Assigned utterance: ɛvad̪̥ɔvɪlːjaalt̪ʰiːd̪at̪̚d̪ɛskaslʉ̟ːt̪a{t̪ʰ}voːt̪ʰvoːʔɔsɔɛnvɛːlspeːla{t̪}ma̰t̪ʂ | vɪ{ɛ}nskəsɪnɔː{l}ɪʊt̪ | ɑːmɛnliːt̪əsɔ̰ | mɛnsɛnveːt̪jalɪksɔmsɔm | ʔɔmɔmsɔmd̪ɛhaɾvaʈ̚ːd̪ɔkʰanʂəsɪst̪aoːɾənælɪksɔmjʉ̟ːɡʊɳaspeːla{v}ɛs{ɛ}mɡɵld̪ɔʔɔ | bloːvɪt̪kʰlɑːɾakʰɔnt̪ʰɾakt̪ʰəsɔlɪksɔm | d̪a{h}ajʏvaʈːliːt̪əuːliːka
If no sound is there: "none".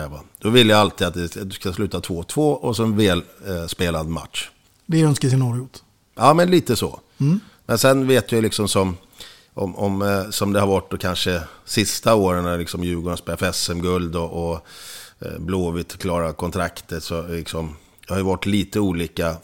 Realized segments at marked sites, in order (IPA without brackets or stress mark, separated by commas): t̪ʰ, d̪, œ, ɾ, f, ɛ, h